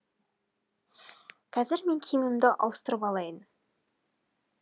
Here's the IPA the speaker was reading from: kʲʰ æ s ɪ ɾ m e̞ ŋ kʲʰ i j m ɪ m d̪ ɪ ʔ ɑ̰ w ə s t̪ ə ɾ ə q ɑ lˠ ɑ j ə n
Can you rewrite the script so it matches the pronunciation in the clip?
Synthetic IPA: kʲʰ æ z ɪ ɾ m e̞ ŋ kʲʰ i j m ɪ m d̪ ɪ ʔ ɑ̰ w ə s t̪ ə ɾ ə p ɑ lˠ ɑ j ə n